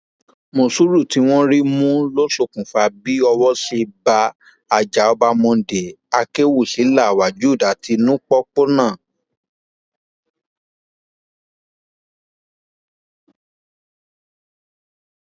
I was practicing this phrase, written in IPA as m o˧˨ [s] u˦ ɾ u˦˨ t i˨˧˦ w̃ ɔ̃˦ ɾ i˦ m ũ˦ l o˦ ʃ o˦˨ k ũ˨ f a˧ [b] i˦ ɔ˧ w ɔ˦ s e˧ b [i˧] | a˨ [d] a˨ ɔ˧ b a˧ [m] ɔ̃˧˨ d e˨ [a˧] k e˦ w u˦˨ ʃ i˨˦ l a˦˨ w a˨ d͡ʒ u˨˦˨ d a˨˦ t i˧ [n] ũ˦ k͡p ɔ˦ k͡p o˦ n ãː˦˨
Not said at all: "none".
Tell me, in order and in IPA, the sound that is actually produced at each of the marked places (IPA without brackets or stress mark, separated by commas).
s, b, a˧, d͡ʒ, m, a˧, n